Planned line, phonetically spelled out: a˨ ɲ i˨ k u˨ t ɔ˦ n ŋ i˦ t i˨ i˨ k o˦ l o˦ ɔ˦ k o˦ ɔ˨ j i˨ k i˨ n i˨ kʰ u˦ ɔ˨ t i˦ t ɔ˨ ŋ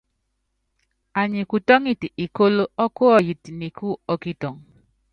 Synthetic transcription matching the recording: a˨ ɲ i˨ k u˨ t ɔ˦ ŋ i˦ t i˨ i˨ k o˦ l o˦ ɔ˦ k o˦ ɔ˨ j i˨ t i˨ n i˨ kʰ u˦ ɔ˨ k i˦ t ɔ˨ ŋ